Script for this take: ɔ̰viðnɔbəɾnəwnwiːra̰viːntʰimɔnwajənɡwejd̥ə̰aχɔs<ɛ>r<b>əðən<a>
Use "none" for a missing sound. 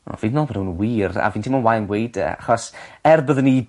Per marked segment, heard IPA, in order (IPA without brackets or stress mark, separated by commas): ɛ, b, i